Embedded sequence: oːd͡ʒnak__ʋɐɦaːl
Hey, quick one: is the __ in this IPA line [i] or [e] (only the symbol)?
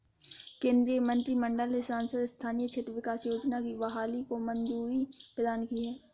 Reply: i